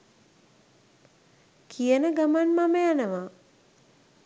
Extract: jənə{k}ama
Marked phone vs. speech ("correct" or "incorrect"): incorrect